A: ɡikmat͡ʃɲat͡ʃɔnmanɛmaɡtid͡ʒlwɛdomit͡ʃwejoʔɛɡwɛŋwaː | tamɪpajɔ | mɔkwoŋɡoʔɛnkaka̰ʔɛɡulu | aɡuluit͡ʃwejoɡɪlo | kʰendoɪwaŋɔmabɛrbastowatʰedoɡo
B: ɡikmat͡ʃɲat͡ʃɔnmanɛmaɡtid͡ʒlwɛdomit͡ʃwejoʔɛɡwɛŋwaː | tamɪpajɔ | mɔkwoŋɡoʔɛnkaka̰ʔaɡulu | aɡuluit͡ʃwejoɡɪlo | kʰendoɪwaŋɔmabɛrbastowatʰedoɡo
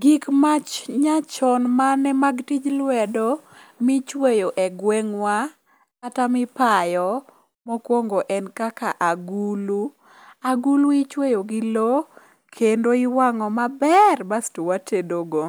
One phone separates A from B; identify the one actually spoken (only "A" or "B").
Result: B